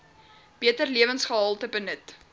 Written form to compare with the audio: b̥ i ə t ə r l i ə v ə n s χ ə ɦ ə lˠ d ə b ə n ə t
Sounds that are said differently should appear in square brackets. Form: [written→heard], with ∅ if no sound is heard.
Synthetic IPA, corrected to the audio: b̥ i ə t ə r l i ə v ə n s χ ə ɦ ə lˠ [d→t] ə b ə n ə t